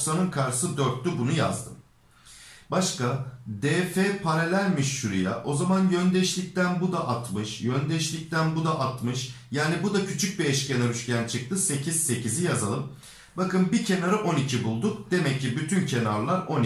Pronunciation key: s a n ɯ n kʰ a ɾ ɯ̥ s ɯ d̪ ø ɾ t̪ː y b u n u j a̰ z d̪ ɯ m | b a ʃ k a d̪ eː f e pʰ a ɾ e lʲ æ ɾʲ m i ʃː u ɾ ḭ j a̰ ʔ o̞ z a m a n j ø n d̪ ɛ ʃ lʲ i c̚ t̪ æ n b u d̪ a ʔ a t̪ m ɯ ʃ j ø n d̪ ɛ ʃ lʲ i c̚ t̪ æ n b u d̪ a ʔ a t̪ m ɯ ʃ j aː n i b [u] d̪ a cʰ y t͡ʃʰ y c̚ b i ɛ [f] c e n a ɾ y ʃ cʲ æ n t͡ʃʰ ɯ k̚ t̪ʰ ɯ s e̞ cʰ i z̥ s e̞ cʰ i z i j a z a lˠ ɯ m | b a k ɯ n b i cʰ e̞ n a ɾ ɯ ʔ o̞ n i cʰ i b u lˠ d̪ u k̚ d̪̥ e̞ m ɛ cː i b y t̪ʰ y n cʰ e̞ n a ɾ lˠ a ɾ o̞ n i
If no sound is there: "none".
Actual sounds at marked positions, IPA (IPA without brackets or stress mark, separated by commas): u, ʃ